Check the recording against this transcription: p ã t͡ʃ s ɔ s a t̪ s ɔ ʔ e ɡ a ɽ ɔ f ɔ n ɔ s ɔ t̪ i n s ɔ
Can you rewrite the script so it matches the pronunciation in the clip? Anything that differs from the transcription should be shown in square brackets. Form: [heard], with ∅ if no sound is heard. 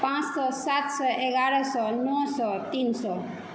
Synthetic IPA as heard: p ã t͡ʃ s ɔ s a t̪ s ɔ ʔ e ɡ a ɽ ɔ [s] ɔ n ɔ s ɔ t̪ i n s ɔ